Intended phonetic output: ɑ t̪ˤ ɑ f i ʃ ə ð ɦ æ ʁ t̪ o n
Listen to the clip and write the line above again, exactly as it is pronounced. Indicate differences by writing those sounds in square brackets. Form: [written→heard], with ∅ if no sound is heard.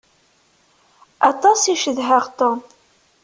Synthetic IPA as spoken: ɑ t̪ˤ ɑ [f→s] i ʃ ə ð ɦ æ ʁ t̪ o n